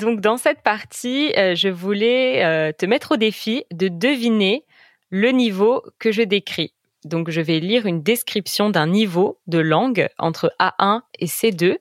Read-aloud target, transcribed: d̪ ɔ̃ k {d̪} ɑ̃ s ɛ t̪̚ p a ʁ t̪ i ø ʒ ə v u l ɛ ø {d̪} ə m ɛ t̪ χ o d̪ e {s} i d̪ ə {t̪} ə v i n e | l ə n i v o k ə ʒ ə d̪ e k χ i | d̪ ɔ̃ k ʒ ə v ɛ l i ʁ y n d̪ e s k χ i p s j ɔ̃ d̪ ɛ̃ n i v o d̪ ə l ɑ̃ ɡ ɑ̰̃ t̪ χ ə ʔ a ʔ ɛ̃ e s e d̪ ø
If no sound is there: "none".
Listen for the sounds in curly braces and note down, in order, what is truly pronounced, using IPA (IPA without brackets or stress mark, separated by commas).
d̪, t̪, f, d̪